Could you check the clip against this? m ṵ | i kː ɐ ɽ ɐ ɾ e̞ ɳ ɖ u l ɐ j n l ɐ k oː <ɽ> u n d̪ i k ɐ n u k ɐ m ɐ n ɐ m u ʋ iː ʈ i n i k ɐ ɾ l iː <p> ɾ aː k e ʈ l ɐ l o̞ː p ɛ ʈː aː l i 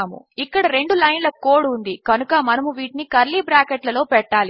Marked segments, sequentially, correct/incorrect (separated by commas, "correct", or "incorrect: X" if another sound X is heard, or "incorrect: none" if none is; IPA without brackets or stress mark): correct, incorrect: b